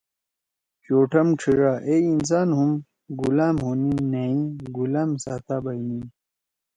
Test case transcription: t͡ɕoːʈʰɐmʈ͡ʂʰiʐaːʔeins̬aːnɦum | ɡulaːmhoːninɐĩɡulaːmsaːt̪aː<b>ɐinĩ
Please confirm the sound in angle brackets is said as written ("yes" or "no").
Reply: yes